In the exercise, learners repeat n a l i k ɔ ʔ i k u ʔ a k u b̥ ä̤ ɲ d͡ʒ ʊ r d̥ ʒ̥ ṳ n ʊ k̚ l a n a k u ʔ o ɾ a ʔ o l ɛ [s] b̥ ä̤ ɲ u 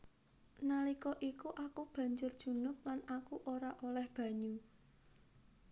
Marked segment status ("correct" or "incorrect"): incorrect